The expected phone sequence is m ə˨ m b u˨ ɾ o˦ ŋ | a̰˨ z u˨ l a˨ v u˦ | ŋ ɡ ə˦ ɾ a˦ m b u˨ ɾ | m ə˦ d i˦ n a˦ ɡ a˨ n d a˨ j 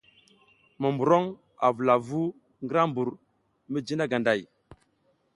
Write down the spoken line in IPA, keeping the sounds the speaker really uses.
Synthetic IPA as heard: m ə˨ m b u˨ ɾ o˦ ŋ | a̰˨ v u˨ l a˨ v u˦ | ŋ ɡ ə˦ ɾ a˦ m b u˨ ɾ | m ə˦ d͡ʒ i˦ n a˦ ɡ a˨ n d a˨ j